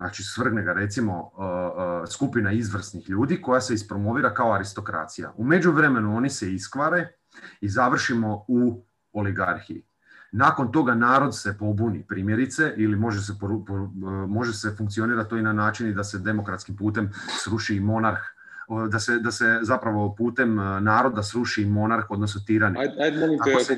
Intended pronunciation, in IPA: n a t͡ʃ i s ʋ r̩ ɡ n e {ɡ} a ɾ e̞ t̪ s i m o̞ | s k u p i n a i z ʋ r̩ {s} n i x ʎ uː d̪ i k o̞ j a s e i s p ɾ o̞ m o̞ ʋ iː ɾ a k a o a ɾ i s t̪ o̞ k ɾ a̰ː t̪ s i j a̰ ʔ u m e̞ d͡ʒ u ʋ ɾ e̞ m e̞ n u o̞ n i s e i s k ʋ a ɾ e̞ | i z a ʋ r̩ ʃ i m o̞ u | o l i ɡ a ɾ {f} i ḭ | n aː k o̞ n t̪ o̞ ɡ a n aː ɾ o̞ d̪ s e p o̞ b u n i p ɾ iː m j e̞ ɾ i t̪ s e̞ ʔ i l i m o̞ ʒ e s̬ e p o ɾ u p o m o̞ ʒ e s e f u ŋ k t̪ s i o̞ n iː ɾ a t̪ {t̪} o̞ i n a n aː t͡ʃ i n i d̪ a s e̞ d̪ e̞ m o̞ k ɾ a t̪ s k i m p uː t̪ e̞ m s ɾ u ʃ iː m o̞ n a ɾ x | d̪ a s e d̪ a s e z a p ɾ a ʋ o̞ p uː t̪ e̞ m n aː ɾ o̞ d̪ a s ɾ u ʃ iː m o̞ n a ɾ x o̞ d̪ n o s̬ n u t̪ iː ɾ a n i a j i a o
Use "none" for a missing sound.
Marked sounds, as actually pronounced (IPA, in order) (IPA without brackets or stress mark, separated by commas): ɡ, s, x, t̪